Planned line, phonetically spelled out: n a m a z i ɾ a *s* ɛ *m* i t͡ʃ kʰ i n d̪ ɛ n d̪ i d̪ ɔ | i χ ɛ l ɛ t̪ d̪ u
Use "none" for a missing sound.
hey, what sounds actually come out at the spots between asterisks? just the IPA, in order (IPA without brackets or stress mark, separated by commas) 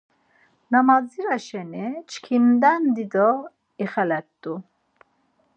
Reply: ʃ, n